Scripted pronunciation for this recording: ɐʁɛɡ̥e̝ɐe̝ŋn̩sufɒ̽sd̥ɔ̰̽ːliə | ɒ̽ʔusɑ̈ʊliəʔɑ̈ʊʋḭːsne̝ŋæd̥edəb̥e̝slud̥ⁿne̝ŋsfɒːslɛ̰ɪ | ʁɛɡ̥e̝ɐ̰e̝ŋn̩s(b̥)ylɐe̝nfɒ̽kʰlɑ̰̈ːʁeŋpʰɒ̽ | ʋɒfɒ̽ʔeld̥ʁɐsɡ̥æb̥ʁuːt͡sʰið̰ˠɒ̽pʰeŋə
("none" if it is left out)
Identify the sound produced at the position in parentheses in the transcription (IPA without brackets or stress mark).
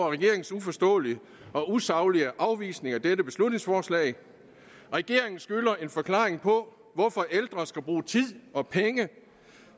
ɡ̥